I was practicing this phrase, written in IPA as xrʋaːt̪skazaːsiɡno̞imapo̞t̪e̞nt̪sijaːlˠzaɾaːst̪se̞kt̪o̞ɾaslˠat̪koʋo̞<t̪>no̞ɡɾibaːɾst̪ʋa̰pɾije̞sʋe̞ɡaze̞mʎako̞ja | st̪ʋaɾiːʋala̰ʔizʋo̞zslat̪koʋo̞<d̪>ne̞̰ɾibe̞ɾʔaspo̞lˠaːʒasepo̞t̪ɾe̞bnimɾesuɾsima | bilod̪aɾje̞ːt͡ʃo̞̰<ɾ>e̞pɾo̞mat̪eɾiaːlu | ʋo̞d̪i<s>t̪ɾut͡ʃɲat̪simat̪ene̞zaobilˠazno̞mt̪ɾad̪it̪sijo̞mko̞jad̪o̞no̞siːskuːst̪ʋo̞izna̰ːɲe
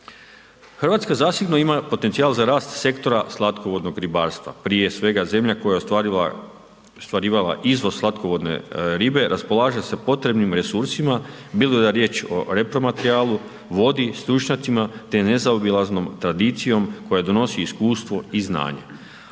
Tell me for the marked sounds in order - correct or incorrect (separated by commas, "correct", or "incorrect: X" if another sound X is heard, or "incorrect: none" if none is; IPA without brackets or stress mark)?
incorrect: d̪, correct, correct, correct